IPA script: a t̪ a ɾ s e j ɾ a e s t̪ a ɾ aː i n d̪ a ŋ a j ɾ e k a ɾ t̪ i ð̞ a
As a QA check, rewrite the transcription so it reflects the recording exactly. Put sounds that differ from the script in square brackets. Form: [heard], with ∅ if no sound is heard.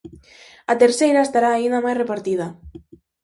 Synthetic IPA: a t̪ [e] ɾ s e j ɾ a e s t̪ a ɾ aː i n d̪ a [m] a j [r] e [p] a ɾ t̪ i ð̞ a